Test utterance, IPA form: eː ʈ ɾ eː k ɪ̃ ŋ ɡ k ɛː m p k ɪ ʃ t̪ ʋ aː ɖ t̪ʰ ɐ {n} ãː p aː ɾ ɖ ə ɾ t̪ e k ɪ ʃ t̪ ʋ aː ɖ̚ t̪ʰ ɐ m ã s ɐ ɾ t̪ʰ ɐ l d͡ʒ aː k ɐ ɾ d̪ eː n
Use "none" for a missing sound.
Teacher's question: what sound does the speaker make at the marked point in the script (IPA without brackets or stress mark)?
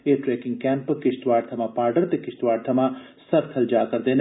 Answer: m